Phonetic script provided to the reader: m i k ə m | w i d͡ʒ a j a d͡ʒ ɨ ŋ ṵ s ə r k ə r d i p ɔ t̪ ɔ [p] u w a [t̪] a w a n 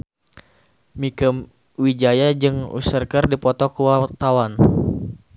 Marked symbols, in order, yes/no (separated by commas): no, yes